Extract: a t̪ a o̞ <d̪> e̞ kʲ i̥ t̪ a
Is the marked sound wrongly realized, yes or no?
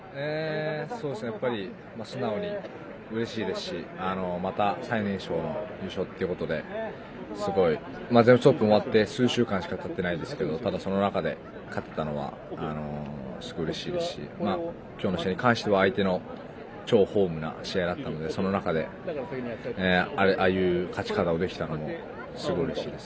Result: no